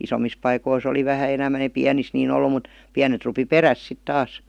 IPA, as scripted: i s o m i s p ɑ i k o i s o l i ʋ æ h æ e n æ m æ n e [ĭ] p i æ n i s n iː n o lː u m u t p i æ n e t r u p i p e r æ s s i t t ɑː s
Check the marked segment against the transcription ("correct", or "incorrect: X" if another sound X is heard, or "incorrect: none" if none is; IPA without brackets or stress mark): correct